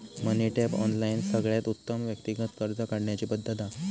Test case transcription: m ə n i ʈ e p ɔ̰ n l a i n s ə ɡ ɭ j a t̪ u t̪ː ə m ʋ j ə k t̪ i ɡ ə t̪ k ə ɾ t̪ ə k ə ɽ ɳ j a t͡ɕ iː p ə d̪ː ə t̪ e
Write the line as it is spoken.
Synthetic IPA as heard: m ə n i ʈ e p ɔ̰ n l a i n s ə ɡ ɭ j a t̪ u t̪ː ə m ʋ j ə k t̪ i ɡ ə t̪ k ə ɾ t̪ ə k a ɽ ɳ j a t͡ɕ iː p ə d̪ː ə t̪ a